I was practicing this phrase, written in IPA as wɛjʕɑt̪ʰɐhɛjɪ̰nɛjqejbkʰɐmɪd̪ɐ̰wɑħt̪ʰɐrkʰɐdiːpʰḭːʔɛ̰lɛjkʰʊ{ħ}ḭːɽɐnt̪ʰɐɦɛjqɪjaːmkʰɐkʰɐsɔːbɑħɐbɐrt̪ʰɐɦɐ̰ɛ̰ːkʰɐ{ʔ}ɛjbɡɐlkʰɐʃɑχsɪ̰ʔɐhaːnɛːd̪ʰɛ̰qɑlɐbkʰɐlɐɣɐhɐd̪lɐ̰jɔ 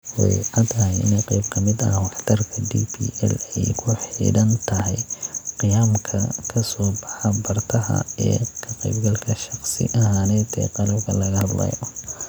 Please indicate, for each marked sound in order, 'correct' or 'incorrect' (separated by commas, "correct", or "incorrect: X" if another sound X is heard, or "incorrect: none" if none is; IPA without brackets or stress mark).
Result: correct, incorrect: q